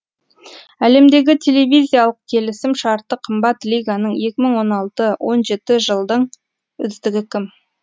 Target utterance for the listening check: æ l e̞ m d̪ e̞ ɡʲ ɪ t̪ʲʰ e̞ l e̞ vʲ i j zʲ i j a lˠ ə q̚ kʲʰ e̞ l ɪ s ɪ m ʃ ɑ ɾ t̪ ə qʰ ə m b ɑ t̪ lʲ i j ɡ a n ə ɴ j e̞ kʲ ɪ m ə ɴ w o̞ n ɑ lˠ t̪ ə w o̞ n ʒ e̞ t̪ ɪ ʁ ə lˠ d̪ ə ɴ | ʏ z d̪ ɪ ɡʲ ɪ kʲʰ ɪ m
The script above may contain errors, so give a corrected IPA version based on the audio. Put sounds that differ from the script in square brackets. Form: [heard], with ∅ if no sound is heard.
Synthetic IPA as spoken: æ l e̞ m d̪ e̞ ɡʲ ɪ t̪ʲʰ e̞ l e̞ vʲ i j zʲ i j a lˠ ə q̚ kʲʰ e̞ l ɪ s ɪ m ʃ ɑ ɾ t̪ ə qʰ ə m b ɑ t̪ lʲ i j ɡ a n ə ɴ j e̞ kʲ ɪ m ə ɴ w o̞ n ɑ lˠ t̪ ə w o̞ n ʒ e̞ t̪ ɪ [ʒ] ə lˠ d̪ ə ɴ | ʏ z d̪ ɪ ɡʲ ɪ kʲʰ ɪ m